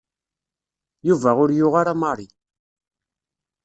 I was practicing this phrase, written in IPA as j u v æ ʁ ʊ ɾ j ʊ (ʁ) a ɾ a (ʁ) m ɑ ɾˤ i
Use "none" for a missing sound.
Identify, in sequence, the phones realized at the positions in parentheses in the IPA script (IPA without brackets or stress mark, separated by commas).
ʁ, none